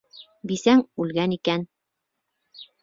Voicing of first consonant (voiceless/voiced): voiced